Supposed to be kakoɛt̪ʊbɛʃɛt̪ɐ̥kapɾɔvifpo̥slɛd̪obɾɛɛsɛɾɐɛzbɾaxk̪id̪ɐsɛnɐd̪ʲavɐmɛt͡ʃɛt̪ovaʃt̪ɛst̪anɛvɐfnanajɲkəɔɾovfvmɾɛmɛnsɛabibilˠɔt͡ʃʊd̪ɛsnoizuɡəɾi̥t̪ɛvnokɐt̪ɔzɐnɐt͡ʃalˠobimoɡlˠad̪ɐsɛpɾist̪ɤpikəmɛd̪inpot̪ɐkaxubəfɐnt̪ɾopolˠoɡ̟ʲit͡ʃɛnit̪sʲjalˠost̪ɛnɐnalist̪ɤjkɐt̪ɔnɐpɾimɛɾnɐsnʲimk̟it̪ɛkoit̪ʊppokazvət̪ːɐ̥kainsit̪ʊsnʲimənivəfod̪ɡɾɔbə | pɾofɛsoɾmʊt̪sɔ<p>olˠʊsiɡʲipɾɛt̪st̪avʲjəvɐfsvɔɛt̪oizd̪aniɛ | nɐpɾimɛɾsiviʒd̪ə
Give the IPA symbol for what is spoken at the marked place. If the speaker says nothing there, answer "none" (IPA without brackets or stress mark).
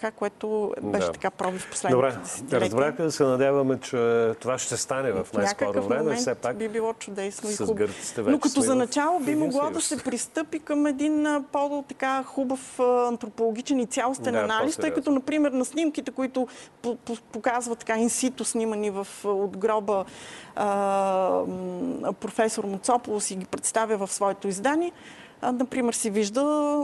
p